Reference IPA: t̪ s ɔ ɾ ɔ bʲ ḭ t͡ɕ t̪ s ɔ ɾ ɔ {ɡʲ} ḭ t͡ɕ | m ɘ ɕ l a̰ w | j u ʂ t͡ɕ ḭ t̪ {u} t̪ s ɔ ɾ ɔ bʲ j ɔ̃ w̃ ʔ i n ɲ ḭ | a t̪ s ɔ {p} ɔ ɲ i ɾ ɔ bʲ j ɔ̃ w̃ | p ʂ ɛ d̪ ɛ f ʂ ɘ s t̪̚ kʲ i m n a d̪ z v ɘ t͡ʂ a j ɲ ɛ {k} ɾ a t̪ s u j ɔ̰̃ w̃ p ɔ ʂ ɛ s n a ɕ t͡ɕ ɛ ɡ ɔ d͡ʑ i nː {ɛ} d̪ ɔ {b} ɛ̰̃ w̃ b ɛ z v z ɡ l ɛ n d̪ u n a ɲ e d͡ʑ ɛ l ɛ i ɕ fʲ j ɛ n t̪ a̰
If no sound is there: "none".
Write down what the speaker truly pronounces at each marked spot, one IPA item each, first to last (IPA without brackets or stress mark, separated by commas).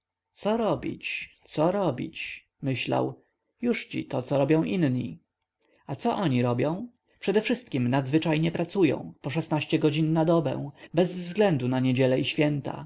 bʲ, ɔ, ʔ, p, a, b